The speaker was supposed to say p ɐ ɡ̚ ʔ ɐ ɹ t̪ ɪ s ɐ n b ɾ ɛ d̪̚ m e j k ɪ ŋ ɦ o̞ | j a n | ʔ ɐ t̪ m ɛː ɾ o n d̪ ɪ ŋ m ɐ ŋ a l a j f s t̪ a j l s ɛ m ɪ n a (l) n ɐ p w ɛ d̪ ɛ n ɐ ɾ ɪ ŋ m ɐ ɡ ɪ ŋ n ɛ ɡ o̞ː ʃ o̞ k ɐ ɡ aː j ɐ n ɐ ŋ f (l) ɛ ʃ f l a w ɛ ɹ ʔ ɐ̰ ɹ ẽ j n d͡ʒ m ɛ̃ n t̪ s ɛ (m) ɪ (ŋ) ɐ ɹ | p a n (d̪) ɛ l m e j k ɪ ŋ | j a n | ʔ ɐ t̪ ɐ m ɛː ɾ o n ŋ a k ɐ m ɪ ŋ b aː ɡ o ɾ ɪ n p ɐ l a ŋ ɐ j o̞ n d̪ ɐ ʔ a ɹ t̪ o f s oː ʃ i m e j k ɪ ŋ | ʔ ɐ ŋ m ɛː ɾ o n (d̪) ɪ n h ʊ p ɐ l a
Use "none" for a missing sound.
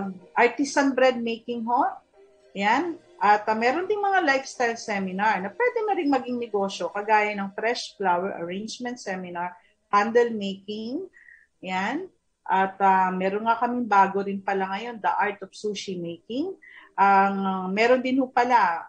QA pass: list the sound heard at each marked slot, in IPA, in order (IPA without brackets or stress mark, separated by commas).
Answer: ɹ, ɾ, m, n, d̪, d̪